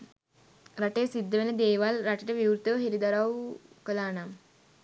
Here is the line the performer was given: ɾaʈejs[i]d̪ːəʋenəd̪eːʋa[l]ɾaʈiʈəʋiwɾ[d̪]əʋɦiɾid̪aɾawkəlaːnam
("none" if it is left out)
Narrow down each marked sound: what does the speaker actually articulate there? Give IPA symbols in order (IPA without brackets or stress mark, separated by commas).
i, l, t̪